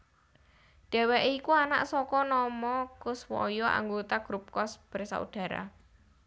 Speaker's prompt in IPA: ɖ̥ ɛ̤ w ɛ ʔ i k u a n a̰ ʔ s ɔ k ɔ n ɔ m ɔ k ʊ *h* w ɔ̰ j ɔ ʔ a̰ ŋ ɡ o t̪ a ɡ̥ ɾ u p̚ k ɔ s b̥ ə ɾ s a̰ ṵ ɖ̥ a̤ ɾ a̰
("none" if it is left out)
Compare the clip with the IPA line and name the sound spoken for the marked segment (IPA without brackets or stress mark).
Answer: s